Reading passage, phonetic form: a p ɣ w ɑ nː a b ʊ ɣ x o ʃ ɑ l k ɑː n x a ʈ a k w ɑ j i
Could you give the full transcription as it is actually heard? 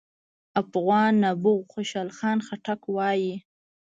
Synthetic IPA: a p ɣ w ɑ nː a b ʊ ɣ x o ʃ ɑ l x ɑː n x a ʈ a k w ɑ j i